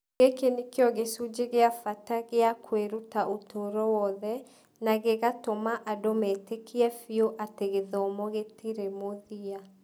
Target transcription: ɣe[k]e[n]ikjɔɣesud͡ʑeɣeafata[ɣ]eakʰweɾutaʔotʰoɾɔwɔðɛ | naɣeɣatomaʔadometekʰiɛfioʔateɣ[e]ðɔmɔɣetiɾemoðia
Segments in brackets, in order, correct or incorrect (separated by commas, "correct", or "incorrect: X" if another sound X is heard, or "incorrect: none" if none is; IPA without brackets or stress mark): correct, correct, correct, correct